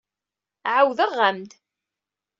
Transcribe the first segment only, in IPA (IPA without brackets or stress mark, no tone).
ʕ